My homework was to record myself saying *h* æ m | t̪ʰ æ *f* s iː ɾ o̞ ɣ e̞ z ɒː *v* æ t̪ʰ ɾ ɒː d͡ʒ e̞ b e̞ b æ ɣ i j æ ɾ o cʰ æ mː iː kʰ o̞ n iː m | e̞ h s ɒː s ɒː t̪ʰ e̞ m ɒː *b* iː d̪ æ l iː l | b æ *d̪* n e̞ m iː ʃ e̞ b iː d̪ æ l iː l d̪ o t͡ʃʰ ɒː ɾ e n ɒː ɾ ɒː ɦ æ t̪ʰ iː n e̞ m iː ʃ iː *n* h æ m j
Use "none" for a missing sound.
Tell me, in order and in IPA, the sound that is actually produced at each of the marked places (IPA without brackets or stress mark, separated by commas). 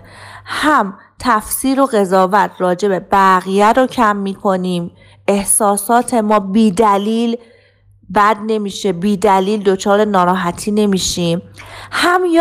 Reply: h, f, v, b, d̪, m